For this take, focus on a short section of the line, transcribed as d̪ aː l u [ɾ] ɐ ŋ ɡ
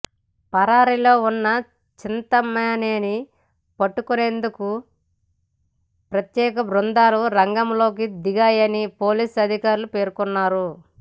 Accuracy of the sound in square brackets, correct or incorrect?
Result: correct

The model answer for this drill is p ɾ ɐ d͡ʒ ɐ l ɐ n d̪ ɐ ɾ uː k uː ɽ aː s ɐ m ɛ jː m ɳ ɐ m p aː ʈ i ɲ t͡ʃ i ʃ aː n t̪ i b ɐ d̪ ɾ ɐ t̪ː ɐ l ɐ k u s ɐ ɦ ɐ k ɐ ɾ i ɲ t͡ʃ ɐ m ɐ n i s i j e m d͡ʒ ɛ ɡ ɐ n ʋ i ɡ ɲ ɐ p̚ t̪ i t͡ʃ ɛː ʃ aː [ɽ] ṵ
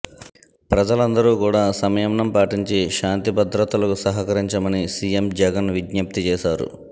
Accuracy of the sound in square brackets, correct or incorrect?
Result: incorrect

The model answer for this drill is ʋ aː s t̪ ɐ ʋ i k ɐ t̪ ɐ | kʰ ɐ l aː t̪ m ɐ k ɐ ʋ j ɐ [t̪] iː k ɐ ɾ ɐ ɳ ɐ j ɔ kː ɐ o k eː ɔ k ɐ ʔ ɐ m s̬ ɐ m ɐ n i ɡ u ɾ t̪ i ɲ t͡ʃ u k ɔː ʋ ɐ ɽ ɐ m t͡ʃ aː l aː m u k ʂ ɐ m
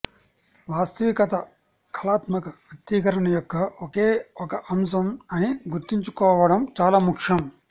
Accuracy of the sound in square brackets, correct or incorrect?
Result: correct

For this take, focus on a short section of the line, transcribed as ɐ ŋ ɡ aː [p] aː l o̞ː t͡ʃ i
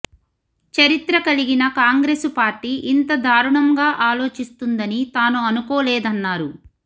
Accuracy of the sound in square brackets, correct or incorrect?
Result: incorrect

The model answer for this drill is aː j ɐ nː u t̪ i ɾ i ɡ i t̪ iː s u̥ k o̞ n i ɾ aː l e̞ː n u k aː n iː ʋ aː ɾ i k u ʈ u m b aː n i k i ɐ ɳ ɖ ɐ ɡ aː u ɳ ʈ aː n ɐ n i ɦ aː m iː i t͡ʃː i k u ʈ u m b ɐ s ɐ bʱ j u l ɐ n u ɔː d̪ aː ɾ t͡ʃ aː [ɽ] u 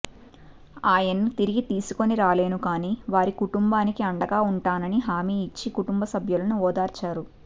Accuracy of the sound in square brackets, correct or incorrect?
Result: incorrect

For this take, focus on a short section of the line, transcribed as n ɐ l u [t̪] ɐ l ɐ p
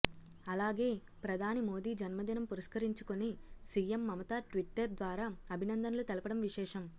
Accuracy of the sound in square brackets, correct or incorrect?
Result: correct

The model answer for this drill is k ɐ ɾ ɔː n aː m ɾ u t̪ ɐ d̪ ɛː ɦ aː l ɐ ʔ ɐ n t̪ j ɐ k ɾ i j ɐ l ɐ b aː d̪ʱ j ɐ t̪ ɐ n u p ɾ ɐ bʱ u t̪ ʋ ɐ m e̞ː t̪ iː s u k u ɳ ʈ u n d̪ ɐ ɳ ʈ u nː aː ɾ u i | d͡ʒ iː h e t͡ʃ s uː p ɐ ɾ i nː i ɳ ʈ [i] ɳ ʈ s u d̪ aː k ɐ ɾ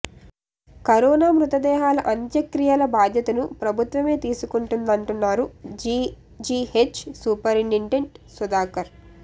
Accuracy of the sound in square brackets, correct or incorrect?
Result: incorrect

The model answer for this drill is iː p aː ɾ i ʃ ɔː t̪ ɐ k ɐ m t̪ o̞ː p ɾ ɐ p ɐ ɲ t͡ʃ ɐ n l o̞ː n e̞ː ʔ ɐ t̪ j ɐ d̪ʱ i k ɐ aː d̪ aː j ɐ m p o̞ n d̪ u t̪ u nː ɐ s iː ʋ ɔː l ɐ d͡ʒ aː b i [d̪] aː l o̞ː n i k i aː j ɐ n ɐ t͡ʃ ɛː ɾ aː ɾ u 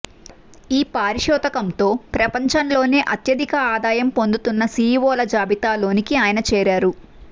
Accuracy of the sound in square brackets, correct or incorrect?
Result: incorrect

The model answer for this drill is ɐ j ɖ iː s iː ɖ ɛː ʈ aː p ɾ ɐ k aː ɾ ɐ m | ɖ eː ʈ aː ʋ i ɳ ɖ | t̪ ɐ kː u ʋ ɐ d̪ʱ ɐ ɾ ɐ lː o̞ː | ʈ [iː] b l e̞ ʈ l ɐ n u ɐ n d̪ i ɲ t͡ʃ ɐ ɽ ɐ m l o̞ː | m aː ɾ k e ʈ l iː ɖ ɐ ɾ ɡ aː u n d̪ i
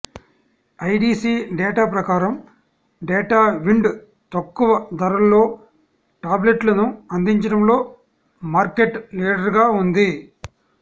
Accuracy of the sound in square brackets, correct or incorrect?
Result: incorrect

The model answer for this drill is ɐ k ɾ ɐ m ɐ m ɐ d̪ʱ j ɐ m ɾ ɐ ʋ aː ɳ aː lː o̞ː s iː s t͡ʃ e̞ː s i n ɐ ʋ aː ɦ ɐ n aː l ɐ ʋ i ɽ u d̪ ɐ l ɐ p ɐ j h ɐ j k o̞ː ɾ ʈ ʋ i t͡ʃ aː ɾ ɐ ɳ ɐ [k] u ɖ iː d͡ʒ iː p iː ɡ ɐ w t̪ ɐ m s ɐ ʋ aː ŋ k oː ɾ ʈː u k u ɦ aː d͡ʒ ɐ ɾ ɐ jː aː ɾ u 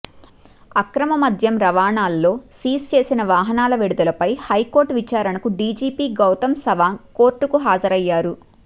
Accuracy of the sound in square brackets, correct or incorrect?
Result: correct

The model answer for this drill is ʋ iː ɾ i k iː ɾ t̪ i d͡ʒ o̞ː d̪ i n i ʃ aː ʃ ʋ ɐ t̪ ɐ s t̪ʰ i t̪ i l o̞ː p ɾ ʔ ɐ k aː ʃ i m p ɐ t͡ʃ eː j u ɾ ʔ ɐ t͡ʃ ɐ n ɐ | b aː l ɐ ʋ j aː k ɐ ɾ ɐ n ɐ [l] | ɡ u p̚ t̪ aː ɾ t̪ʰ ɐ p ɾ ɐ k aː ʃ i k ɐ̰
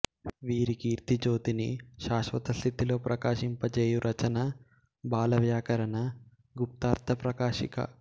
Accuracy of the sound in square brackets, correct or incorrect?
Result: incorrect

